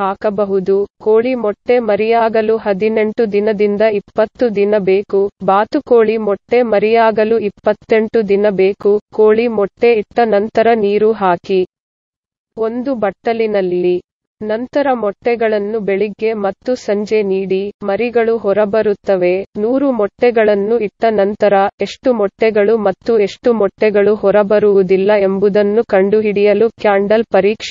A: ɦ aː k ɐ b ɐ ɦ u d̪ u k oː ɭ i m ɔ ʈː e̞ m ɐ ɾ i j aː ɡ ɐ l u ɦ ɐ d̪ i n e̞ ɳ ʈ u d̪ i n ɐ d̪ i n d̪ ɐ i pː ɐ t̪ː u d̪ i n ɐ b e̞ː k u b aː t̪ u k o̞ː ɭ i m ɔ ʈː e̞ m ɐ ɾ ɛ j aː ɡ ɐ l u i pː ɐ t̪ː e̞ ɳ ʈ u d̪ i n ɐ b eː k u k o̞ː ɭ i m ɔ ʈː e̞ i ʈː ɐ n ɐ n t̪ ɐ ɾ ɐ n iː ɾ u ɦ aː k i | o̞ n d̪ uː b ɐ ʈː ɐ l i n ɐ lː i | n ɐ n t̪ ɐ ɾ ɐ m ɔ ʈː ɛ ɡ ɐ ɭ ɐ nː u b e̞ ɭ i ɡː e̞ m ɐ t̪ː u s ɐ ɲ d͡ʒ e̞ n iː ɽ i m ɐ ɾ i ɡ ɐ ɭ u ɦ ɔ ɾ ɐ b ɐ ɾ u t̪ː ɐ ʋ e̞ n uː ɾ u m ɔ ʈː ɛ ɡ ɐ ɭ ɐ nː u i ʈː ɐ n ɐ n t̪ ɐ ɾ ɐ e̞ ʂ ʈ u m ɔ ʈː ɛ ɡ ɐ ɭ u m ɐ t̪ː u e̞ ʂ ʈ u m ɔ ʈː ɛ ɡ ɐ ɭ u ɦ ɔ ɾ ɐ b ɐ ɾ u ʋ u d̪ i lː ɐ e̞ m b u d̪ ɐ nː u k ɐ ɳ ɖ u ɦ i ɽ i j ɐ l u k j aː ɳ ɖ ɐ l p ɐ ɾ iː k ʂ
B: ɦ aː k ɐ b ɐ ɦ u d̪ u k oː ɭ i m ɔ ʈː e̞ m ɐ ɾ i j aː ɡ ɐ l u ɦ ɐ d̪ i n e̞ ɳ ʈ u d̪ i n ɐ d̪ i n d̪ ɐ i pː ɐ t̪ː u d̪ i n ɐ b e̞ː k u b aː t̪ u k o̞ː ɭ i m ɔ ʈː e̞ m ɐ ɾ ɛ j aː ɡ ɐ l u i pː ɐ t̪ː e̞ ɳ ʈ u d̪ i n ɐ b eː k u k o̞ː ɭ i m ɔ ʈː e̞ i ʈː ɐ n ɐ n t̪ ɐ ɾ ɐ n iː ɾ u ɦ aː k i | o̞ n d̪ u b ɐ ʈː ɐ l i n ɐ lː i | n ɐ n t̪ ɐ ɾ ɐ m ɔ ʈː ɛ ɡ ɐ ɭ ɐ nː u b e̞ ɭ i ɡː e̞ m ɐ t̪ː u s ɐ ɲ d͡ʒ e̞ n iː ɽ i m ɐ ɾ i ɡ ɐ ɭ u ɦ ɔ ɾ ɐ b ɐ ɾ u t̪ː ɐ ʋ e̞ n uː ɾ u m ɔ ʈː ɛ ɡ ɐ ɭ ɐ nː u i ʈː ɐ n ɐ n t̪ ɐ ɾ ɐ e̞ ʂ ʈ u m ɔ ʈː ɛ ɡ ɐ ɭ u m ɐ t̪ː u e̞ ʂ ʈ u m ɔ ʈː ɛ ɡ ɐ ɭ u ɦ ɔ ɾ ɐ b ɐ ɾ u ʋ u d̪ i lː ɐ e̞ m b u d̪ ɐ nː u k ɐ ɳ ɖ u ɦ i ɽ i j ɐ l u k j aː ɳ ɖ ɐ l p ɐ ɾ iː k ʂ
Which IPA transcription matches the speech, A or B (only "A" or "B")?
B